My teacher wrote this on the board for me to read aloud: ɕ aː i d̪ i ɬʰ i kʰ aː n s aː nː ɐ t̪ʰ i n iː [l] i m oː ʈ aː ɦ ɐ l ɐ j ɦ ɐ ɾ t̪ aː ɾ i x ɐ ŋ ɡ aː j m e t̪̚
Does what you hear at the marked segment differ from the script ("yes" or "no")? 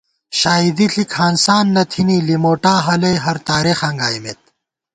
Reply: no